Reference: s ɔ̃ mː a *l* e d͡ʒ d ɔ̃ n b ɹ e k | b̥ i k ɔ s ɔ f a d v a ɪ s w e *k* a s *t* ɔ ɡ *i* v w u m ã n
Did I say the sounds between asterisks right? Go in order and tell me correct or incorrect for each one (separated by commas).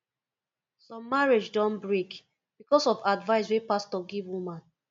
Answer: incorrect, incorrect, correct, correct